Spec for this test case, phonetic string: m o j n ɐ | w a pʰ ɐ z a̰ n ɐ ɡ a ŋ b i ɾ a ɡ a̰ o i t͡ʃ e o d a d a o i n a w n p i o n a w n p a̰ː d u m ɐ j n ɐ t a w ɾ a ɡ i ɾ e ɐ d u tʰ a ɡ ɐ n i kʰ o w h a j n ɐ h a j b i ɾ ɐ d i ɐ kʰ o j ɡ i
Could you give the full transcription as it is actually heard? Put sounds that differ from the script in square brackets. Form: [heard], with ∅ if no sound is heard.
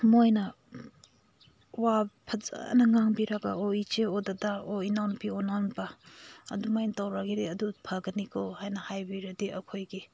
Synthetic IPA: m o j n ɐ | w a pʰ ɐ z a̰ n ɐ [ŋ] a ŋ b i ɾ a ɡ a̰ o i t͡ʃ e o d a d a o i n a w n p i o n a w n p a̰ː d u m [a] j n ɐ t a w ɾ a ɡ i ɾ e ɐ d u [pʰ] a ɡ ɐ n i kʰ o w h a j n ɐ h a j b i ɾ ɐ d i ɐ kʰ o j ɡ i